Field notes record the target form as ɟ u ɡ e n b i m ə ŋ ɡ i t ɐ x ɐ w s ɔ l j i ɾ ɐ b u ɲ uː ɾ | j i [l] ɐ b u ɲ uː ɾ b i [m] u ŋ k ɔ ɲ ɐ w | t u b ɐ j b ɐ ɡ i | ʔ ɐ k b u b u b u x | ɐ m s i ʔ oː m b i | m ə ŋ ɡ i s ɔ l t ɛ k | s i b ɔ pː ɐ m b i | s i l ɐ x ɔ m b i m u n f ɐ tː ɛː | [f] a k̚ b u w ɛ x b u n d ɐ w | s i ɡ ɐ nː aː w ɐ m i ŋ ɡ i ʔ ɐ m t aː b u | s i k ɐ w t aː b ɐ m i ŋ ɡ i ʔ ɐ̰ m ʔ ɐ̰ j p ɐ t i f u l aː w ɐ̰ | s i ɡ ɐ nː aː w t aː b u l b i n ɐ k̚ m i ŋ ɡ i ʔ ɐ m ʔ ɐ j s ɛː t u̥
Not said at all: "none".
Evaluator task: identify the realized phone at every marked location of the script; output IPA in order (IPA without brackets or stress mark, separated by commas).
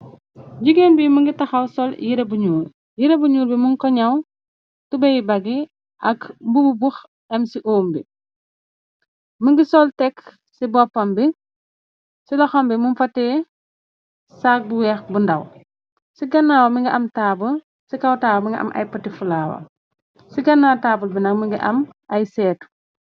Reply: ɾ, m, s